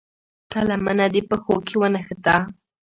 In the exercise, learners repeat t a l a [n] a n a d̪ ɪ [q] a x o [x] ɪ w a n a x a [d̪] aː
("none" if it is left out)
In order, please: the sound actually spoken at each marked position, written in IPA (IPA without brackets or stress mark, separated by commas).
m, p, k, t̪